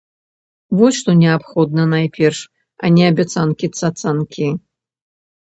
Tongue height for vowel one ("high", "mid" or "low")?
mid